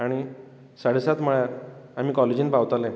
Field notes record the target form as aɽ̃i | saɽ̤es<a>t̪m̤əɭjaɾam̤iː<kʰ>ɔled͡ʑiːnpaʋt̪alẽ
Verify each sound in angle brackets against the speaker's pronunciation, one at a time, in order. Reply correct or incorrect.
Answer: correct, incorrect: k

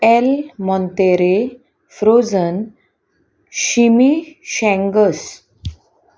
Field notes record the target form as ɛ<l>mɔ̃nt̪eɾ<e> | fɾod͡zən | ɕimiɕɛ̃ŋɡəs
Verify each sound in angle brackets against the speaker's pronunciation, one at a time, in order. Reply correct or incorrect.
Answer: correct, correct

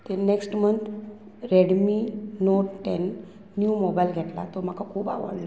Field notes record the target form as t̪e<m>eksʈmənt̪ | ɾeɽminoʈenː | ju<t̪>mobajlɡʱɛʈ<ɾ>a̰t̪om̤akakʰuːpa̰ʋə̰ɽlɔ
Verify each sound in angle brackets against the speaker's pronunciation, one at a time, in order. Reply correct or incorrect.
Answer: incorrect: n, incorrect: none, incorrect: l

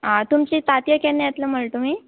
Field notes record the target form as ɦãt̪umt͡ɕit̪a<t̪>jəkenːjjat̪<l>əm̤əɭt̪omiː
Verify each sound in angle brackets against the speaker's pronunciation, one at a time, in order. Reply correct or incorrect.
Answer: correct, correct

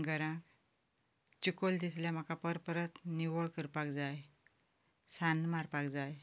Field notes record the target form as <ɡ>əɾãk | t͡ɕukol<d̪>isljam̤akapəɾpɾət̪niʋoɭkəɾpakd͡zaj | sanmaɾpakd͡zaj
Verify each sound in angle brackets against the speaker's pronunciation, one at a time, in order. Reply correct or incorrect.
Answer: correct, correct

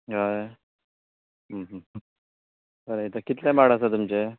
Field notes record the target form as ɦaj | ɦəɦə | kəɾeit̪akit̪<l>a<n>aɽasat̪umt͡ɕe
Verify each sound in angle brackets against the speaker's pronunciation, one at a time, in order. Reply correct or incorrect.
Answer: correct, incorrect: m

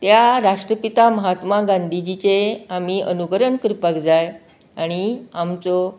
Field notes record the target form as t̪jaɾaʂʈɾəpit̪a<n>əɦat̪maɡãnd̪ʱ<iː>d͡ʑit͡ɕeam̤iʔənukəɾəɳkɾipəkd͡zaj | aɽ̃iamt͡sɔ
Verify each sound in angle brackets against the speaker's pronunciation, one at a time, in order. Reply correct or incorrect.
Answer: incorrect: m, incorrect: i

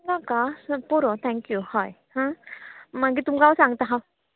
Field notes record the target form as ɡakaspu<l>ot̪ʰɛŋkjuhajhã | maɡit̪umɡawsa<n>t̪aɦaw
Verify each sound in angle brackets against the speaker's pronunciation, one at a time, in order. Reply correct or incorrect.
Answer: incorrect: ɾ, incorrect: ŋ

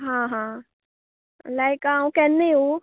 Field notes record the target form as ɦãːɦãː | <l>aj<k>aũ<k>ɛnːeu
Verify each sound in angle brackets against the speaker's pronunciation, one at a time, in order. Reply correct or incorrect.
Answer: correct, correct, correct

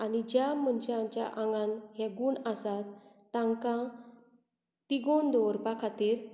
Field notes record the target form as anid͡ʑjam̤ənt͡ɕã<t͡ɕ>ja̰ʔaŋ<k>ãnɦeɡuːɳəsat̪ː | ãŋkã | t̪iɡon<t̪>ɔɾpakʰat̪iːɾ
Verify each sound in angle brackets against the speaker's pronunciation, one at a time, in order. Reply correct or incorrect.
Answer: correct, incorrect: ɡ, incorrect: d̪

